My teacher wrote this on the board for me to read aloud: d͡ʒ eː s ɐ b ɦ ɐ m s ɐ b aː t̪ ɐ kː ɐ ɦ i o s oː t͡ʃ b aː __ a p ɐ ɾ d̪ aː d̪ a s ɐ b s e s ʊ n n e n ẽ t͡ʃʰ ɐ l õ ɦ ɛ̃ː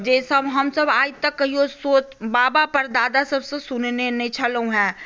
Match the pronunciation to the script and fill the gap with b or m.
b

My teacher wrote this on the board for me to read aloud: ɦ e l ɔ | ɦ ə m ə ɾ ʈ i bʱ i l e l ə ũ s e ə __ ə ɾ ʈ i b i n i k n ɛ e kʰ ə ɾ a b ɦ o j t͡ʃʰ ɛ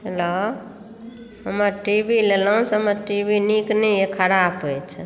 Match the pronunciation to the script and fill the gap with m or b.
m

